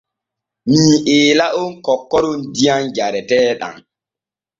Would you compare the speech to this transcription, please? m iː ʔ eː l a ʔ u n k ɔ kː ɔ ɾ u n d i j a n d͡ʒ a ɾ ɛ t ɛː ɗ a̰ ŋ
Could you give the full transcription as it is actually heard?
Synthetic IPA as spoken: m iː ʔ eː l a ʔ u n k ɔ kː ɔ ɾ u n d i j a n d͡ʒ a ɾ ɛ t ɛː ɗ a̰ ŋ